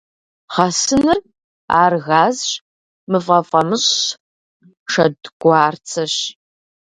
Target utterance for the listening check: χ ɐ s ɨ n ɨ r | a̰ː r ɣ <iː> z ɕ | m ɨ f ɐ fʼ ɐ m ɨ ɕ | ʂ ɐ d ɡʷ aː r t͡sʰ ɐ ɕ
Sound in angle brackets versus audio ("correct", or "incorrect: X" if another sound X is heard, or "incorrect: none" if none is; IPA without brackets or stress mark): incorrect: aː